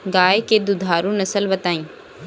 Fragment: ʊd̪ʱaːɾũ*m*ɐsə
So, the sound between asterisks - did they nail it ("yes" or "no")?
no